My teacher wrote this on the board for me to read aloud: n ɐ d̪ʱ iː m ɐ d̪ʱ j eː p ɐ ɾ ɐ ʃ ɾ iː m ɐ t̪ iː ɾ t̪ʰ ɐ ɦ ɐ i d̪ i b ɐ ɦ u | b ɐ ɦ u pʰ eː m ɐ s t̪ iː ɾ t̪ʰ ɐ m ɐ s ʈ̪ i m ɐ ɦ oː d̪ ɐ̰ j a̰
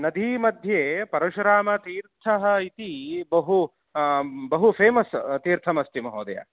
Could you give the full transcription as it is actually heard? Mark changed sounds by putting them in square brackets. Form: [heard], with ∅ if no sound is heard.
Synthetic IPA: n ɐ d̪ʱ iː m ɐ d̪ʱ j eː p ɐ ɾ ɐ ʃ ɾ [aː] m ɐ t̪ iː ɾ t̪ʰ ɐ ɦ ɐ i [t̪] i b ɐ ɦ u | b ɐ ɦ u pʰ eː m ɐ s t̪ iː ɾ t̪ʰ ɐ m ɐ s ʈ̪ i m ɐ ɦ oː d̪ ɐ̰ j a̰